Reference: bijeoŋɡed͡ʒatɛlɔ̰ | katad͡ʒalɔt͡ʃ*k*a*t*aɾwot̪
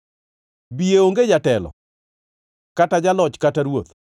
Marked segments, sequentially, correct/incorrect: correct, correct

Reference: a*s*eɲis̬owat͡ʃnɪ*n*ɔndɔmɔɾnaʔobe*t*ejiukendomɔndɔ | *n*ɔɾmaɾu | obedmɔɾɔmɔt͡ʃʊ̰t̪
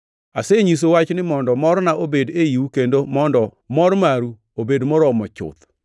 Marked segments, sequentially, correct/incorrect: correct, incorrect: m, incorrect: d, incorrect: m

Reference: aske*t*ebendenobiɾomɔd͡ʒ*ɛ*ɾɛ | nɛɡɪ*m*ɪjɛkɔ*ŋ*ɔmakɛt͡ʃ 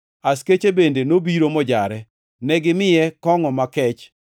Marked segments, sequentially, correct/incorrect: incorrect: t͡ʃ, incorrect: a, correct, correct

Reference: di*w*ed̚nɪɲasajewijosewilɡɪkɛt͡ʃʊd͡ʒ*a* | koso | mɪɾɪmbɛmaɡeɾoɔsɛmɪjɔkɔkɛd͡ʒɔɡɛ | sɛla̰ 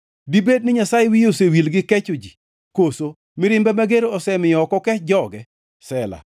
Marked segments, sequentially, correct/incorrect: incorrect: b, incorrect: i

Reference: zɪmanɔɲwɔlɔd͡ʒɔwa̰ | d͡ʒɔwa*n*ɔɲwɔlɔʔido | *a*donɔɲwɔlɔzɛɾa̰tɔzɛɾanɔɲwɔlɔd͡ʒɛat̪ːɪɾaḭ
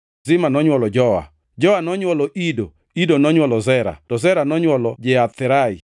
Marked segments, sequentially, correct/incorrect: correct, incorrect: i

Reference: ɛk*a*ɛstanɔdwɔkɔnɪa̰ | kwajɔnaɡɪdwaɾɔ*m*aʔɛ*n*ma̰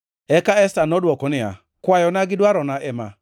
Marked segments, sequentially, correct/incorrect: correct, incorrect: n, incorrect: none

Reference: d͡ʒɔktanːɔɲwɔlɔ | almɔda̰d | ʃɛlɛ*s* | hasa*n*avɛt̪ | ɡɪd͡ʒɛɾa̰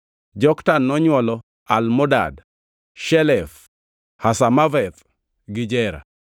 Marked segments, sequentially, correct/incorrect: incorrect: f, incorrect: m

